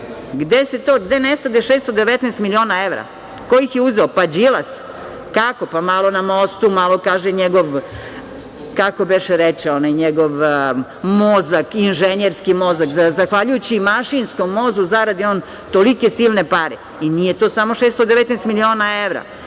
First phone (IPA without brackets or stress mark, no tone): ɡ